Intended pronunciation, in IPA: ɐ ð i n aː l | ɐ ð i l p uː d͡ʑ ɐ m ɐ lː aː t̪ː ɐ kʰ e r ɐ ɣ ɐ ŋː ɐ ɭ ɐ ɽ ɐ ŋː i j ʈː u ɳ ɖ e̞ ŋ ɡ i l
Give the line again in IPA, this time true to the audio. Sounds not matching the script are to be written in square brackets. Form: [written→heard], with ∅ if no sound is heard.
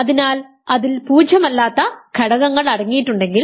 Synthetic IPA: ɐ ð i n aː l | ɐ ð i l p uː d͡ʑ ɐ m ɐ lː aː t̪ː ɐ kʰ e [r→ɽ] ɐ ɣ ɐ ŋː ɐ ɭ ɐ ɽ ɐ ŋː i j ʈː u ɳ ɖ e̞ ŋ ɡ i l